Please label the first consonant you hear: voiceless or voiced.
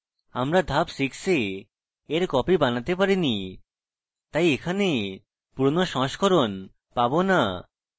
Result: voiced